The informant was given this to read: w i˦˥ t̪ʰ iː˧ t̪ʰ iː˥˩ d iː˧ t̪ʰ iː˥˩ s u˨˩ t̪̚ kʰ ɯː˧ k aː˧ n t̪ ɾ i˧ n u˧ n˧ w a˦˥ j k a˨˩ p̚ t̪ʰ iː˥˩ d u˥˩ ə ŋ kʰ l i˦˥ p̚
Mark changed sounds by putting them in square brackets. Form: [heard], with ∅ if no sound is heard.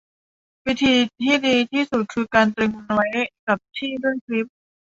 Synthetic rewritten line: w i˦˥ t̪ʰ iː˧ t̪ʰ iː˥˩ d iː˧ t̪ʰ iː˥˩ s u˨˩ t̪̚ kʰ ɯː˧ k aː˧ n t̪ ɾ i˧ [ŋ] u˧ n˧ w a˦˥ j k a˨˩ p̚ t̪ʰ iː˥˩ d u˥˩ ə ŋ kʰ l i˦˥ p̚